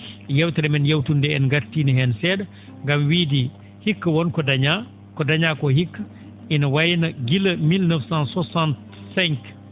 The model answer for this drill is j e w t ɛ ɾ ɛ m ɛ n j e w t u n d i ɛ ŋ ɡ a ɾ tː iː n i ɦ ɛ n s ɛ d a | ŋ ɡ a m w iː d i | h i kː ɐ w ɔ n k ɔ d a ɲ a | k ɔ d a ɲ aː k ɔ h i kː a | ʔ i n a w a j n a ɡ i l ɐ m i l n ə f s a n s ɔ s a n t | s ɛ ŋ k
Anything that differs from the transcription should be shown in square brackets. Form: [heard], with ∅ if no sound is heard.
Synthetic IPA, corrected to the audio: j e w t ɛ ɾ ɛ m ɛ n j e w t u n d [ɛ] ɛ [n] ɡ a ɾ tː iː n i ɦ ɛ n s ɛ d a | ŋ ɡ a m w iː d i | h i kː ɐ w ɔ n k ɔ d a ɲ a | k ɔ d a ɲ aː k ɔ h i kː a | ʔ i n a w a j n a ɡ i l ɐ m i l n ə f s a n s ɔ s a n t | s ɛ ŋ k